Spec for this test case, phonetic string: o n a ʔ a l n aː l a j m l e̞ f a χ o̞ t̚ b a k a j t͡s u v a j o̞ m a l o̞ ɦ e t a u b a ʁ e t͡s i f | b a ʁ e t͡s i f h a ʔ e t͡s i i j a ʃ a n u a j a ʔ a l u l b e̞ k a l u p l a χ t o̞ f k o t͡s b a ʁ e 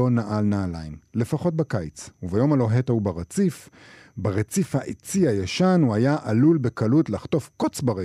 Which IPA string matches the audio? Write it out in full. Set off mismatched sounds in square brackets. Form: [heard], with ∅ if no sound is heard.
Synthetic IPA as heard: o n a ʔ a l n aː l a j m l e̞ f a χ o̞ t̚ b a k a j t͡s u v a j o̞ m a l o̞ ɦ e t a u b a ʁ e t͡s i f | b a ʁ e t͡s i f h a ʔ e t͡s i [a] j a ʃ a n u a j a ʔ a l u l b e̞ k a l u [t] l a χ t o̞ f k o t͡s b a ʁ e